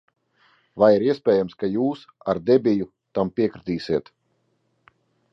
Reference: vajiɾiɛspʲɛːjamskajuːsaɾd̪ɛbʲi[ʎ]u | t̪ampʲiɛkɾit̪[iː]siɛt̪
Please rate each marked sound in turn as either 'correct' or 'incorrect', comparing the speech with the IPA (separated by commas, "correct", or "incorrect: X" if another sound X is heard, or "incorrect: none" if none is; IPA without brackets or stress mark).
incorrect: j, correct